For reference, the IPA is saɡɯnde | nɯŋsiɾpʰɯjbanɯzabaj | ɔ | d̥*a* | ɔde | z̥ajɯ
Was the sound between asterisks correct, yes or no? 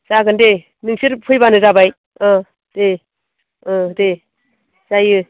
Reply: no